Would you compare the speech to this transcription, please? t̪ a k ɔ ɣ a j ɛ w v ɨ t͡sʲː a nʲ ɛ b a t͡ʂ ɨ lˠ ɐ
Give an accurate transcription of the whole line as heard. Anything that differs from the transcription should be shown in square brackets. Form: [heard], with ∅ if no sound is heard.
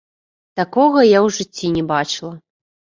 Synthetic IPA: t̪ a k ɔ ɣ [ɐ] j [a] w [ʐ] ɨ t͡sʲː [i] nʲ ɛ b a t͡ʂ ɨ lˠ ɐ